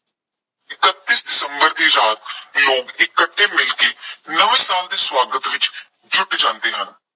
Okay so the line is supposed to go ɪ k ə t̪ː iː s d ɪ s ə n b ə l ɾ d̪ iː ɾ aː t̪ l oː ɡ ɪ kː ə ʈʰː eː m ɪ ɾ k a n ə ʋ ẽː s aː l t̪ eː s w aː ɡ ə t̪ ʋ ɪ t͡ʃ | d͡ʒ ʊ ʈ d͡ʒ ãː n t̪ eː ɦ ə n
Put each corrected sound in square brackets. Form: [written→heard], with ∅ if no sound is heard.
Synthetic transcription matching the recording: ɪ k ə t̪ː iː s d ɪ s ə [n→m] b ə [l→∅] ɾ d̪ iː ɾ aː t̪ l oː ɡ ɪ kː ə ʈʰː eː m ɪ [ɾ→l] k [a→e] n ə ʋ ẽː s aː l [t̪→d̪] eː s w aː ɡ ə t̪ ʋ ɪ t͡ʃ | d͡ʒ ʊ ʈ d͡ʒ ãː n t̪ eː ɦ ə n